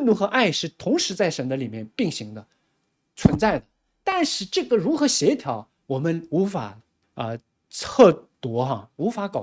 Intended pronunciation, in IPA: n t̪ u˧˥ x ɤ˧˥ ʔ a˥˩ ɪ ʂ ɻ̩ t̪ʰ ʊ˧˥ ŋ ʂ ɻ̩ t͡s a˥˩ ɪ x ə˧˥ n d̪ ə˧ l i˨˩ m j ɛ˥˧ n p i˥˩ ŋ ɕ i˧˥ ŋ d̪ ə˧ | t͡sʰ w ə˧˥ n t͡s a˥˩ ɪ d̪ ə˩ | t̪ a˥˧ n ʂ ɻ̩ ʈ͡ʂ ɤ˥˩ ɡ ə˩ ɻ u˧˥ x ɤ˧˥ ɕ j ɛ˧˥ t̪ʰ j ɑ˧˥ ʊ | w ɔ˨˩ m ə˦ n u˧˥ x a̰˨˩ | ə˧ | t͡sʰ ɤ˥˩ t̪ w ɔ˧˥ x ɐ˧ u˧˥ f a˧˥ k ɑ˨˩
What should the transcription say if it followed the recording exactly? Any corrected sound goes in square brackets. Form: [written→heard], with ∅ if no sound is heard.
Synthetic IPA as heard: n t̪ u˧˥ x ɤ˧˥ ʔ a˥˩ ɪ ʂ ɻ̩ t̪ʰ ʊ˧˥ ŋ ʂ ɻ̩ t͡s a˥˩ ɪ [x→ʂ] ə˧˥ n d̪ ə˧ l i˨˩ m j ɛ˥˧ n p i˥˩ ŋ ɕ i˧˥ ŋ d̪ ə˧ | t͡sʰ w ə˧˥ n t͡s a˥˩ ɪ d̪ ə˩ | t̪ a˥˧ n ʂ ɻ̩ ʈ͡ʂ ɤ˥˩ ɡ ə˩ ɻ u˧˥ x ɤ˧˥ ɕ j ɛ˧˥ t̪ʰ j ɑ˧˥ ʊ | w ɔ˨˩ m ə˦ n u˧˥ [x→f] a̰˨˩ | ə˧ | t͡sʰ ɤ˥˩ t̪ w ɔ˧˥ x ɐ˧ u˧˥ f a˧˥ k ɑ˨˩